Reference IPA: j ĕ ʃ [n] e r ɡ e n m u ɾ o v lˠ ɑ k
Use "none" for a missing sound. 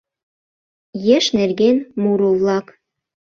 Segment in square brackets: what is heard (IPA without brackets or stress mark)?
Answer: n